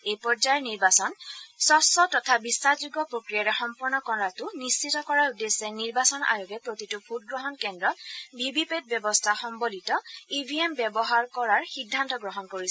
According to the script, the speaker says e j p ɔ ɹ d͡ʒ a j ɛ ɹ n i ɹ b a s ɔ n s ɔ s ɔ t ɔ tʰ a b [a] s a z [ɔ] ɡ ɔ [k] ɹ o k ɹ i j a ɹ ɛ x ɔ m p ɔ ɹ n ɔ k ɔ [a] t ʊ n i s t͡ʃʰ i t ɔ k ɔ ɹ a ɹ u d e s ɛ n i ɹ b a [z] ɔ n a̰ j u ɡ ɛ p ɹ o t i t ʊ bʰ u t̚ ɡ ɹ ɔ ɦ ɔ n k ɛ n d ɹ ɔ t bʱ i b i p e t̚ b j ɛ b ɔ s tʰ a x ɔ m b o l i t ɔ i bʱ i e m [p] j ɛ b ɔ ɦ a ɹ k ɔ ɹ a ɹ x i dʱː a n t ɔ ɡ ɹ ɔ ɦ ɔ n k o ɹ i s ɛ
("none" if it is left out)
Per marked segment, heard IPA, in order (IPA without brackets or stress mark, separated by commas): i, u, p, a, s, b